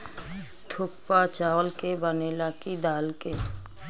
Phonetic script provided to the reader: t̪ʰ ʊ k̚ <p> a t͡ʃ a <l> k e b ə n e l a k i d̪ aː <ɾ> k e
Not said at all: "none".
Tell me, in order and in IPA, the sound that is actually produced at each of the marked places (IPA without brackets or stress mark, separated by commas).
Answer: p, l, l